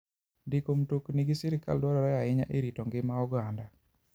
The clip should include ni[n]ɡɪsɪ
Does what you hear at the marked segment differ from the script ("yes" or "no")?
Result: yes